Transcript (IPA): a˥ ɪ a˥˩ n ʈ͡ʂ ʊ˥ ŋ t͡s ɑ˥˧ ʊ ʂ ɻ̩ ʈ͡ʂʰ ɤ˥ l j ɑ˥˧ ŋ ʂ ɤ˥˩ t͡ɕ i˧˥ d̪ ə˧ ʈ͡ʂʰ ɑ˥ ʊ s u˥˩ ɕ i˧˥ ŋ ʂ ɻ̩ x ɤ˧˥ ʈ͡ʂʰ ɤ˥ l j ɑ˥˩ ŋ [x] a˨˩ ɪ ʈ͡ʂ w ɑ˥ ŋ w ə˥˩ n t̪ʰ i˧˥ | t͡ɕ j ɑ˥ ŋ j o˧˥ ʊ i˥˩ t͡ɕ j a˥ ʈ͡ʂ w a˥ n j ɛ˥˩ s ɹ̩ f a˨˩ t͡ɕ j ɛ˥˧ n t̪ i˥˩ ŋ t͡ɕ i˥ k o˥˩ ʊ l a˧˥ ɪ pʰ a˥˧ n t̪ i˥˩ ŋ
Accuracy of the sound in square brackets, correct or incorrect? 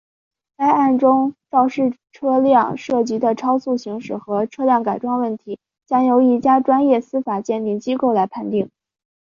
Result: incorrect